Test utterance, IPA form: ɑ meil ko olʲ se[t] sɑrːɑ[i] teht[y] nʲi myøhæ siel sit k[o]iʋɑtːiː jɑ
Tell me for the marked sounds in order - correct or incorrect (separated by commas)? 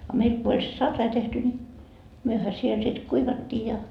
incorrect, correct, correct, incorrect